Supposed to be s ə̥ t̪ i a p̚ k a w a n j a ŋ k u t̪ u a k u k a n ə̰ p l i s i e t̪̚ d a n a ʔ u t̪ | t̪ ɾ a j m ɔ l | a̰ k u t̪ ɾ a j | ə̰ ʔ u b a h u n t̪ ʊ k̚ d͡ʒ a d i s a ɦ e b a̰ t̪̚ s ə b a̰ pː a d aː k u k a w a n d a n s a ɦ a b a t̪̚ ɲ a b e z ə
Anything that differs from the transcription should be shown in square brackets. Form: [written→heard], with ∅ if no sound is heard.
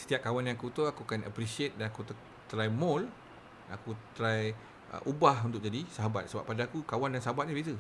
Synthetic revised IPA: s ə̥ t̪ i a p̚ k a w a n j a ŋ k u t̪ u a k u k a n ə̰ p [l→ɾ] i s i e t̪̚ d a n a [ʔ→k] u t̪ | t̪ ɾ a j m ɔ l | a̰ k u t̪ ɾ a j | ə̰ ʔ u b a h u n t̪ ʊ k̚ d͡ʒ a d i s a ɦ [e→a] b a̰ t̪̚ s ə b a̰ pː a d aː k u k a w a n d a n s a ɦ a b a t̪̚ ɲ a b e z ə